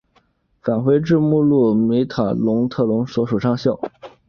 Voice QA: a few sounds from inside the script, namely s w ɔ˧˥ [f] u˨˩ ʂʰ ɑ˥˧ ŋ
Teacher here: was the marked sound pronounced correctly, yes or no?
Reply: no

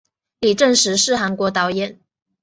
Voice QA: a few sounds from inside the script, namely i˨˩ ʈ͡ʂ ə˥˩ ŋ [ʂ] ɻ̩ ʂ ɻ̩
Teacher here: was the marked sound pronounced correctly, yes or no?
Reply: yes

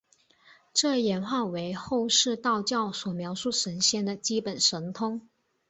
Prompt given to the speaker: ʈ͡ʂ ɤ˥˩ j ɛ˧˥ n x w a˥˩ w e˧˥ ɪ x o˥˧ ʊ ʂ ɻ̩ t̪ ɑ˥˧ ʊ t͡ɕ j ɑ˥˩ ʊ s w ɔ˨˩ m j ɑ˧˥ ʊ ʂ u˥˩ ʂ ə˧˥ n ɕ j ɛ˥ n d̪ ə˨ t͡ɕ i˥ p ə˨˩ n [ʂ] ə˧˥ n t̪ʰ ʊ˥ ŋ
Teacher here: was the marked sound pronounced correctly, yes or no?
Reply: yes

